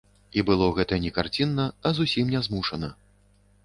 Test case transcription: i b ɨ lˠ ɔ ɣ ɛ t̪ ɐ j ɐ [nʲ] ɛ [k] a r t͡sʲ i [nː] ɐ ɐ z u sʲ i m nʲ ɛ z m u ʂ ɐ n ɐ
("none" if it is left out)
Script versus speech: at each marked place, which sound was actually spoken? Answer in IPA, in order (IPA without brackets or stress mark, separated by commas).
nʲ, k, nː